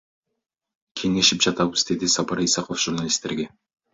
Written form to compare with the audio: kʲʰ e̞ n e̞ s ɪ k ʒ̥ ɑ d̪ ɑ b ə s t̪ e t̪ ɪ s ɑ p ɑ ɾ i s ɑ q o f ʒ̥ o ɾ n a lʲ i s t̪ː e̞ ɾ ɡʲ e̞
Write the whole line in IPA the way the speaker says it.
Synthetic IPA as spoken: kʲʰ e̞ ŋ e̞ ʃ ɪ p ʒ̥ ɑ t̪ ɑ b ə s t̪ e d̪ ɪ s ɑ p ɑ ɾ i s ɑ q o f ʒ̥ u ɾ n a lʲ i s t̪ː e̞ ɾ ɡʲ e̞

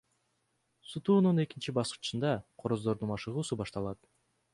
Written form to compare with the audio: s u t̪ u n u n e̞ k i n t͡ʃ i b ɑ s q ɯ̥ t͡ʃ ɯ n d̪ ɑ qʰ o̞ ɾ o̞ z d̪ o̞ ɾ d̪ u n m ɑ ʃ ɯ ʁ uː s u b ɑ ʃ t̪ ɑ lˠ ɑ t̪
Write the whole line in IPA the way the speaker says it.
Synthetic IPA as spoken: s u t̪ uː n u n e̞ k i n t͡ʃ i b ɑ s q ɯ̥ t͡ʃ ɯ n d̪ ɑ qʰ o̞ ɾ o̞ z d̪ o̞ ɾ d̪ u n m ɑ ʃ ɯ ʁ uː s u b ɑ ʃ t̪ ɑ lˠ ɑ t̪

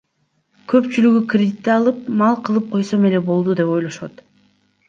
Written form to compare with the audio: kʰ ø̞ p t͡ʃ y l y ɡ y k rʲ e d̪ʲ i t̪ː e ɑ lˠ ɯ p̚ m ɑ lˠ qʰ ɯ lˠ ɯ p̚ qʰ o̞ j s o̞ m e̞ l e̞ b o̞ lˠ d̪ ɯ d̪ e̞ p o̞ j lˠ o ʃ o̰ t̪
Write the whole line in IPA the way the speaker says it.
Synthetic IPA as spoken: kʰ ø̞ p t͡ʃ y l y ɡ y k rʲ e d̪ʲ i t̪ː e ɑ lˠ ɯ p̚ m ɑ lˠ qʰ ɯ lˠ ɯ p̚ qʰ o̞ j s o̞ m e̞ l e̞ b o̞ lˠ d̪ u d̪ e̞ p o̞ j lˠ o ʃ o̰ t̪

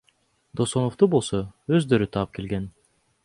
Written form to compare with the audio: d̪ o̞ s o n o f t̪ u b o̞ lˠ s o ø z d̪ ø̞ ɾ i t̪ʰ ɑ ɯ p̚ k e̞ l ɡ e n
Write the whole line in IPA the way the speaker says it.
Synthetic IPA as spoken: d̪ o̞ s o n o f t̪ u b o̞ lˠ s o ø z d̪ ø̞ ɾ y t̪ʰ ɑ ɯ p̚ k e̞ l ɡ e n

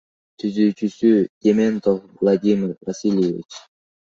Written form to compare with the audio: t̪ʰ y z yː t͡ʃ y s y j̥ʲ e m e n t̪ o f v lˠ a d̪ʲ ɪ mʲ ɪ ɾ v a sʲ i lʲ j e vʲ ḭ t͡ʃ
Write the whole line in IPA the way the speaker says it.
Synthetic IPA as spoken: t̪ʰ y z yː t͡ʃ y s y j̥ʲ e m e n t̪ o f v lˠ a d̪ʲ i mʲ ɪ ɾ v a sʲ i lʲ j e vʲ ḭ t͡ʃ

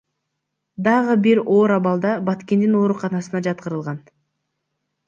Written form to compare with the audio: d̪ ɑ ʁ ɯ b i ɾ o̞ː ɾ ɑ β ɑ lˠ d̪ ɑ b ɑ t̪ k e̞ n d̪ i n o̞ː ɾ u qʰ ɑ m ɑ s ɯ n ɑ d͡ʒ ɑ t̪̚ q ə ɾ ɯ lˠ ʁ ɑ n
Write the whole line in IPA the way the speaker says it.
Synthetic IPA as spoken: d̪ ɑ ʁ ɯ b i ɾ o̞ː ɾ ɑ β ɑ lˠ d̪ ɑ b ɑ t̪ k e̞ n d̪ i n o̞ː ɾ u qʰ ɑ n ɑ s ɯ n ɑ d͡ʒ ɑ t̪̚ q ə ɾ ɯ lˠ ʁ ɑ n

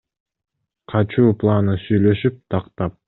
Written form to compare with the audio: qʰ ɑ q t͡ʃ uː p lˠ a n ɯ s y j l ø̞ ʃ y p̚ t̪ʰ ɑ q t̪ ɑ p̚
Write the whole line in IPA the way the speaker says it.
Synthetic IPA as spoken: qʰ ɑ t͡ʃ uː p lˠ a n ɯ s y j l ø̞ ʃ y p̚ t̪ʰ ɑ q t̪ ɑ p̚

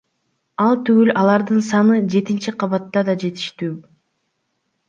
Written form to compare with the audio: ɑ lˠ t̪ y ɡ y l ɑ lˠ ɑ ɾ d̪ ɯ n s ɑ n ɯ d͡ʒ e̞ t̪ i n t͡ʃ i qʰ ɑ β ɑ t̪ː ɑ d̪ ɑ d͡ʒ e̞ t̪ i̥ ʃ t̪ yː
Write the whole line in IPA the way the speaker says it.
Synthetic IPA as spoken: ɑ lˠ t̪ y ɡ y l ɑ lˠ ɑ ɾ d̪ ɯ n s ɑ n ɯ d͡ʒ e̞ t̪ i n t͡ʃ i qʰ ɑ β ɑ t̪ː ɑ d̪ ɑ d͡ʒ e̞ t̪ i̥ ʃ t̪ yː

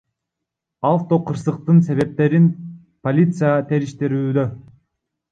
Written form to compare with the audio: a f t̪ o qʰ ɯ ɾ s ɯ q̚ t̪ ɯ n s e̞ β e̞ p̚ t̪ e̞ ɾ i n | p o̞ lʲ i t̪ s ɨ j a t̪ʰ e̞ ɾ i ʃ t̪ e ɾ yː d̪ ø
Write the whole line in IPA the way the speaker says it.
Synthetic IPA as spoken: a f t̪ o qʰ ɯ ɾ s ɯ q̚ t̪ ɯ n s e̞ β e̞ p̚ t̪ e̞ ɾ i n | p o̞ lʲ i t̪ s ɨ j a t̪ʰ e̞ ɾ i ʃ t̪ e ɾ yː d̪ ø

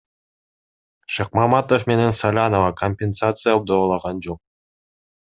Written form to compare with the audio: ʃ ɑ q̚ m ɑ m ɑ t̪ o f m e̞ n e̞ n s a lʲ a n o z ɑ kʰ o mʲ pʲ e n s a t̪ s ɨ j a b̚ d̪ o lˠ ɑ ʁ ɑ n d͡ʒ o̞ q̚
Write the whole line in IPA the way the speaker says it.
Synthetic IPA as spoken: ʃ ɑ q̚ m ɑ m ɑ t̪ o f m e̞ n e̞ n s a lʲ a n o v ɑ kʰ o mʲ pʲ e n s a t̪ s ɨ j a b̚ d̪ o lˠ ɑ ʁ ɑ n d͡ʒ o̞ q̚

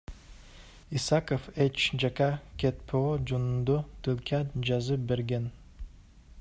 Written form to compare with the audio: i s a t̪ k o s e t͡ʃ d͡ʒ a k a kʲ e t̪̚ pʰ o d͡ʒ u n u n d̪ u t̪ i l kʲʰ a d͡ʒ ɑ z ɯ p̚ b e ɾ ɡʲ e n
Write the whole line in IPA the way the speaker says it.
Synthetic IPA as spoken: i s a k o f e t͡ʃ d͡ʒ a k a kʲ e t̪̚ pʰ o d͡ʒ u n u n d̪ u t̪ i l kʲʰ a d͡ʒ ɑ z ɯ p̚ b e ɾ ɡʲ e n

